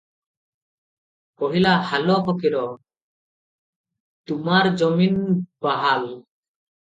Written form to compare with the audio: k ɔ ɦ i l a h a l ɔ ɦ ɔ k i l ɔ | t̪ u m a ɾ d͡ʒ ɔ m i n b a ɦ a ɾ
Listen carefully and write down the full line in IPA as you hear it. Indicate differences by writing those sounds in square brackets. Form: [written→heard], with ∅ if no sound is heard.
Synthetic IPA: k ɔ ɦ i l a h a l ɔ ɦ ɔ k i [l→ɾ] ɔ | t̪ u m a ɾ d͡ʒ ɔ m i n b a ɦ a [ɾ→l]